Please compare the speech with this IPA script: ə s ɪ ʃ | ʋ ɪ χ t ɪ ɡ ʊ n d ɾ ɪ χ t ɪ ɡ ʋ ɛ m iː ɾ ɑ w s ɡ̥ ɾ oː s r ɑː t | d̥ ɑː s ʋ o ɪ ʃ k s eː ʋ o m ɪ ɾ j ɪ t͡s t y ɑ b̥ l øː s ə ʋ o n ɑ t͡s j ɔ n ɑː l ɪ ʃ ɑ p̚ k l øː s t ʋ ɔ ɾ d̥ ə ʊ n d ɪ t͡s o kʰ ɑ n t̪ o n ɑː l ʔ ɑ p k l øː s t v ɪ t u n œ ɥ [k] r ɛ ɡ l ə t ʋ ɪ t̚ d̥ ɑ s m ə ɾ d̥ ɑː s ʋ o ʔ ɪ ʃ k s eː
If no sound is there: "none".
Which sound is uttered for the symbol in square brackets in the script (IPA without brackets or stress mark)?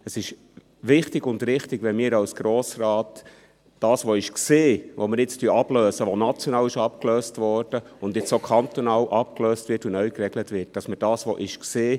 k